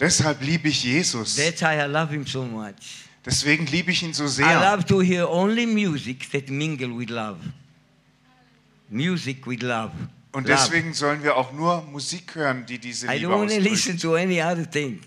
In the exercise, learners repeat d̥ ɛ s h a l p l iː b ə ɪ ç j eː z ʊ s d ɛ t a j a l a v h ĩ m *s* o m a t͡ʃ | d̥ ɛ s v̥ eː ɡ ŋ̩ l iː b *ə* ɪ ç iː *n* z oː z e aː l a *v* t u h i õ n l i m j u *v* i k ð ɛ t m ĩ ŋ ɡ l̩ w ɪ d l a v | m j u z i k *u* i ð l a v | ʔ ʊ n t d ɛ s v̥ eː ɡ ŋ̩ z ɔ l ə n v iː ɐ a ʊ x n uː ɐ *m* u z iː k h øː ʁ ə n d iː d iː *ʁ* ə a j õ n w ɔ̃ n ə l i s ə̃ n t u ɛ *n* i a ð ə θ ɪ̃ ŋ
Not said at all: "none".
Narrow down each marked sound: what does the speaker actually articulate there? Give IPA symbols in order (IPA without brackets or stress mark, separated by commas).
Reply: s, ə, n, v, z, w, m, z, n